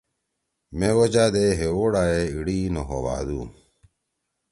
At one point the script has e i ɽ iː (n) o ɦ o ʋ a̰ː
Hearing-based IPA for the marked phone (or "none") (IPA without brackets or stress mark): n